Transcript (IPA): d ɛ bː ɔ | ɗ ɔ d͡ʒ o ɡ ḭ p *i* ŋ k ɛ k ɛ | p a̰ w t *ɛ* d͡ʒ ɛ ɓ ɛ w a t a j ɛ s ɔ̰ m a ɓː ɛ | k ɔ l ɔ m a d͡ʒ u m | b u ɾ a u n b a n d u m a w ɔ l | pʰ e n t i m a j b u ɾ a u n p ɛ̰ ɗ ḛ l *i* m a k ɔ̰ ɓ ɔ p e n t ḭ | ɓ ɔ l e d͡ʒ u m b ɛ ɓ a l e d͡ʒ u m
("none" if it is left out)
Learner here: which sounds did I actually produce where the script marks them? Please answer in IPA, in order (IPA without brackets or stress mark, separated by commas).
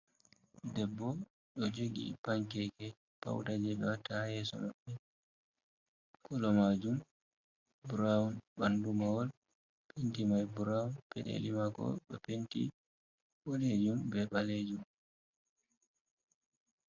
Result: a, a, i